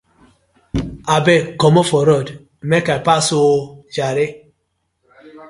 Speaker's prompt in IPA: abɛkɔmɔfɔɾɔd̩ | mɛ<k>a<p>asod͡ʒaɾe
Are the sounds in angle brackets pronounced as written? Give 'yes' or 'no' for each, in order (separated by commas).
yes, yes